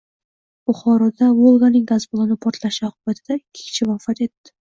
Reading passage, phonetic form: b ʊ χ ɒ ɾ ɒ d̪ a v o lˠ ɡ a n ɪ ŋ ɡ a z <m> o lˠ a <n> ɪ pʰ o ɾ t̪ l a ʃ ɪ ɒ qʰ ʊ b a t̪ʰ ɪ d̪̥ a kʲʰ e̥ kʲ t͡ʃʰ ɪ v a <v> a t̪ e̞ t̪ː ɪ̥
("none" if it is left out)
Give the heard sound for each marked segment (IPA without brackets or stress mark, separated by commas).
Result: b, n, f